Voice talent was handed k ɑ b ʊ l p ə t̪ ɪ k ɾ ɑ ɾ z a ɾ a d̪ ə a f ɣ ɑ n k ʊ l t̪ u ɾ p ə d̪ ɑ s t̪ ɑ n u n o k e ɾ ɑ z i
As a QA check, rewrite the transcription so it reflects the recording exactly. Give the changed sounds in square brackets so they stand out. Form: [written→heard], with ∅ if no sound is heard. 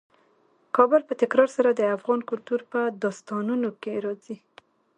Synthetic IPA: k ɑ b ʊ l p ə t̪ ɪ k ɾ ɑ ɾ [z→s] a ɾ a d̪ ə a f ɣ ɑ n k ʊ l t̪ u ɾ p ə d̪ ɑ s t̪ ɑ n u n o k e ɾ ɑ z i